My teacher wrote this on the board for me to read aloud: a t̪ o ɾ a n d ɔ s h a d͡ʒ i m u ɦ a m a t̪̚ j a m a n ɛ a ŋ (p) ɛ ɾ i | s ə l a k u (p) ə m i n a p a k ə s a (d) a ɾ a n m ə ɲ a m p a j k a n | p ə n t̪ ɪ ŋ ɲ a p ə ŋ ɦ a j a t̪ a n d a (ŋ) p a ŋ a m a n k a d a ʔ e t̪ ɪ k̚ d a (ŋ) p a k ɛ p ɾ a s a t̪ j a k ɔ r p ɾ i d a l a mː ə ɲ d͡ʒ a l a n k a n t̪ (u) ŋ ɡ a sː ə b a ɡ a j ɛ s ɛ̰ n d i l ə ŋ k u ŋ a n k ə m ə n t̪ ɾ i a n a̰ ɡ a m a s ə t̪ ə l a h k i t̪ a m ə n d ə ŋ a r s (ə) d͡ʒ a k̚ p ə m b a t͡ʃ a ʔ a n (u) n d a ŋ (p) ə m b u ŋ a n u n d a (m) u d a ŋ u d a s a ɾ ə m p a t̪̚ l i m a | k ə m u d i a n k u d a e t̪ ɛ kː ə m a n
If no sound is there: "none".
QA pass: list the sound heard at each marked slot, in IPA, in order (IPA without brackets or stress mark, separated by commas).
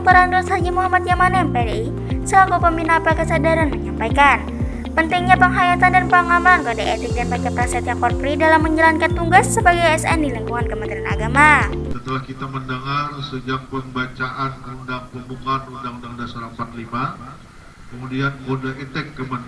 p, p, d, n, n, u, ə, u, p, ŋ